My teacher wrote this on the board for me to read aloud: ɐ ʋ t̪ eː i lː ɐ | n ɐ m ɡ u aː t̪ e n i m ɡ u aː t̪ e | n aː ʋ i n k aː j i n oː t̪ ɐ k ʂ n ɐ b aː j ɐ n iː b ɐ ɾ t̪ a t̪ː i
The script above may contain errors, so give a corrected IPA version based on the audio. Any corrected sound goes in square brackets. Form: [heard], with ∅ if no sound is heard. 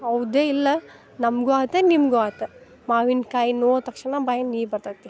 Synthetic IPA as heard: ɐ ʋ [d̪] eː i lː ɐ | n ɐ m ɡ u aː t̪ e n i m ɡ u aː t̪ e | [m] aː ʋ i n k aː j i n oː t̪ ɐ k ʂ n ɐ b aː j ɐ n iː b ɐ ɾ t̪ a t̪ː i